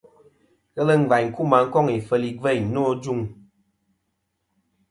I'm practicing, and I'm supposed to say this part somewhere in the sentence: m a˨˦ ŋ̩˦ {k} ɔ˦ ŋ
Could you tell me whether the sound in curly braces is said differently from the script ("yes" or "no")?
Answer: no